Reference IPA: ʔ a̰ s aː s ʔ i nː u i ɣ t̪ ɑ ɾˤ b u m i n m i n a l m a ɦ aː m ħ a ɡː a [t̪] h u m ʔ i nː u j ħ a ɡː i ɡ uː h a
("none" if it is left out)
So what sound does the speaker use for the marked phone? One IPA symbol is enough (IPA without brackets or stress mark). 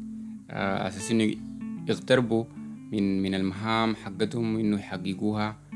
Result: t̪